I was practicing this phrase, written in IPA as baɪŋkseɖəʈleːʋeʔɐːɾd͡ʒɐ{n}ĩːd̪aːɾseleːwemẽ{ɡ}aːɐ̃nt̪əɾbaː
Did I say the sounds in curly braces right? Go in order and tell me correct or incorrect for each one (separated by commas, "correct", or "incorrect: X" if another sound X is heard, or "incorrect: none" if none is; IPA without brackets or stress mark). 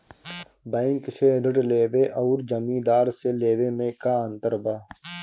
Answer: incorrect: m, incorrect: k